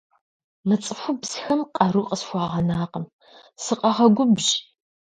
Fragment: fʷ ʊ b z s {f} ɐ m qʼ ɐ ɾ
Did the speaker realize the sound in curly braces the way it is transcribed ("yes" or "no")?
no